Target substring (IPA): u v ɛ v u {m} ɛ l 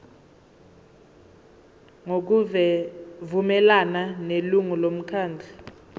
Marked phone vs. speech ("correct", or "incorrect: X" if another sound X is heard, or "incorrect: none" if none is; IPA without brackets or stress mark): correct